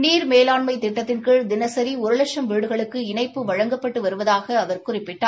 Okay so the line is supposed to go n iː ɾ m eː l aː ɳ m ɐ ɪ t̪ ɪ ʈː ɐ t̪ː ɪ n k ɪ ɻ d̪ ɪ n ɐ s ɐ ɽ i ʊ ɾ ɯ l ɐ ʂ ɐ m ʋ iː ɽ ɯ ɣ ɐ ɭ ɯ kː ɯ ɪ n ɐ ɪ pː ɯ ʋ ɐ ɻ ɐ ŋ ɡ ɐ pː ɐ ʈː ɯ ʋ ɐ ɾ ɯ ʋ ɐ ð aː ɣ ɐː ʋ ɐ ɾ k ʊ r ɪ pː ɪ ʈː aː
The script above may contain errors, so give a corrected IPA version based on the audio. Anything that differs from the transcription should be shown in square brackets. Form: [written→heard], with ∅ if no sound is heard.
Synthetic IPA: n iː ɾ m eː l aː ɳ m ɐ ɪ t̪ ɪ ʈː ɐ t̪ː ɪ n k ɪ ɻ d̪ ɪ n ɐ s ɐ [ɽ→ɾ] i ʊ ɾ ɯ l ɐ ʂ ɐ m ʋ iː ɽ ɯ ɣ ɐ ɭ ɯ kː ɯ ɪ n ɐ ɪ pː ɯ ʋ ɐ ɻ ɐ ŋ ɡ ɐ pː ɐ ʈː ɯ ʋ ɐ ɾ ɯ ʋ ɐ ð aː ɣ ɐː ʋ ɐ ɾ k ʊ r ɪ pː ɪ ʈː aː